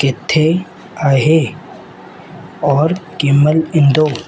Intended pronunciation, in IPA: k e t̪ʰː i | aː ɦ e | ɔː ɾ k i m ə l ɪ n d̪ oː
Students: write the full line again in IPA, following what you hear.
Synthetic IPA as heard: k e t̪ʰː e | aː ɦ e | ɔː ɾ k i m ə l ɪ n d̪ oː